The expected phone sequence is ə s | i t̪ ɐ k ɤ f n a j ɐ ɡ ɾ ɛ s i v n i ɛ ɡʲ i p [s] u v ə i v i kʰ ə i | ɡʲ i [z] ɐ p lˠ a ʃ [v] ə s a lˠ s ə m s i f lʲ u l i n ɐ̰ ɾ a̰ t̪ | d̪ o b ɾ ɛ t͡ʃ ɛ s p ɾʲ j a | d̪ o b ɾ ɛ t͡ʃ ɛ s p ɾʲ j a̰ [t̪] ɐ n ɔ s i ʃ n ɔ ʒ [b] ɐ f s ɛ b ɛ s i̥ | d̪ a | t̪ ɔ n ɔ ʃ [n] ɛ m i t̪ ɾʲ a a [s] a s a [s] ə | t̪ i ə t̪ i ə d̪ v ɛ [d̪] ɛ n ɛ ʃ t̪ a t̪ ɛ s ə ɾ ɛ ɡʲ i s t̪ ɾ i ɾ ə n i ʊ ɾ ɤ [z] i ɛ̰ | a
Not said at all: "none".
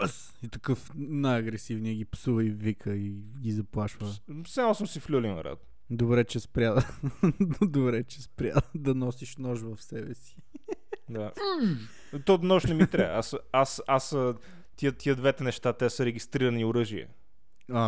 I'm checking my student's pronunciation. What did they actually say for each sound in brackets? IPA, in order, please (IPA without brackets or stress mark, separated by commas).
s, z, v, d̪, v, n, s, s, t̪, ʒ